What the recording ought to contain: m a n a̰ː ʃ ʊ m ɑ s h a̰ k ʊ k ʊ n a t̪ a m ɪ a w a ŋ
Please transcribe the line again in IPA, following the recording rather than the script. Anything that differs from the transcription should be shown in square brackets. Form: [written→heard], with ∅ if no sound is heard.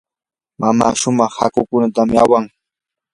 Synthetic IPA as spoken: m a [n→m] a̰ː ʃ ʊ m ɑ [s→χ] h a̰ k ʊ k ʊ n a t̪ a m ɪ a w a ŋ